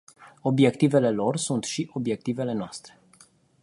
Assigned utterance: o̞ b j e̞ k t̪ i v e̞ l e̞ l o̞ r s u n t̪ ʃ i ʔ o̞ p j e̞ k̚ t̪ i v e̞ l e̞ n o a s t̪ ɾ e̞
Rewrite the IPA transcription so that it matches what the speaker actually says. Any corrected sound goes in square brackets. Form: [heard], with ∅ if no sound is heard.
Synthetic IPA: o̞ b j e̞ k t̪ i v e̞ l e̞ l o̞ r s u n t̪ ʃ i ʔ o̞ [b] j e̞ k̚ t̪ i v e̞ l e̞ n o a s t̪ ɾ e̞